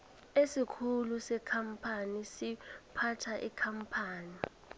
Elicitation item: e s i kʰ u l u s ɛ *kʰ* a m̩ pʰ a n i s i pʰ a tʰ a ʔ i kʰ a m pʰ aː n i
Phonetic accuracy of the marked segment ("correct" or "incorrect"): correct